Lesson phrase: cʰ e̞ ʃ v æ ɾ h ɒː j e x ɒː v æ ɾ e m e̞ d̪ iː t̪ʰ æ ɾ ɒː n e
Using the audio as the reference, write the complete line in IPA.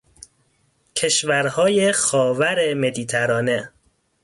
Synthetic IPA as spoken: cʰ e̞ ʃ v æ ɾ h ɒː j e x ɒː v æ ɾ e m e̞ d̪ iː t̪ʰ æ ɾ ɒː n e